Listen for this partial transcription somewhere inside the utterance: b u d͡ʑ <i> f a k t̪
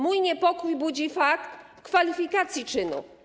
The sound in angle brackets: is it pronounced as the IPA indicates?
yes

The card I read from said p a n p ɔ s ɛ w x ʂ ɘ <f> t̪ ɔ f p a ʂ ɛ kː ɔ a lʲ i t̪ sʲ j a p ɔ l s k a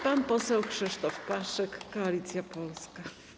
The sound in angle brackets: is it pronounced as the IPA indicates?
no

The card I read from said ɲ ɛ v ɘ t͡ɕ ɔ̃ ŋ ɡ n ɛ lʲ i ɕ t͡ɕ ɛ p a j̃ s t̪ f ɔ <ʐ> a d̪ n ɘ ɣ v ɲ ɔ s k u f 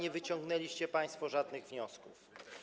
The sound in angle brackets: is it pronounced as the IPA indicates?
yes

